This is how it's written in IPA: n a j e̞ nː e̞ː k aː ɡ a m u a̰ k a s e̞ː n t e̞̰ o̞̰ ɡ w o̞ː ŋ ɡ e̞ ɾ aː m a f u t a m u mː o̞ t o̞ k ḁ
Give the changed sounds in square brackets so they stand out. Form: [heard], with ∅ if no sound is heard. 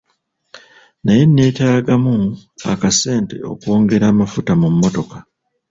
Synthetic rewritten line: n a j e̞ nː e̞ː [t] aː ɡ a m u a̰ k a s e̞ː n t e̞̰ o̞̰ [k] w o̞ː ŋ ɡ e̞ ɾ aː m a f u t a m u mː o̞ t o̞ k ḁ